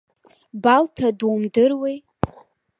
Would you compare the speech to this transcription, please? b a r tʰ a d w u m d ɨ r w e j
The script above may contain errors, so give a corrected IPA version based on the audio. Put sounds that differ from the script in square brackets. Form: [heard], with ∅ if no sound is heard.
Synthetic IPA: b a [l] tʰ a d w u m d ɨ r w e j